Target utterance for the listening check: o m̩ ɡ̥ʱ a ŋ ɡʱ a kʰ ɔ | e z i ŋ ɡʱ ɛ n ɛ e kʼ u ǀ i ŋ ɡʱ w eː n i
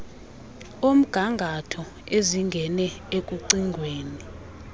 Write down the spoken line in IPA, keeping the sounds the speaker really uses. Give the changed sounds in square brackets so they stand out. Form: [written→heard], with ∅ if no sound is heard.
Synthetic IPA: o m̩ ɡ̥ʱ a ŋ ɡʱ a [kʰ→tʰ] ɔ | e z i ŋ ɡʱ ɛ n ɛ e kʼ u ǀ i ŋ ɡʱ w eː n i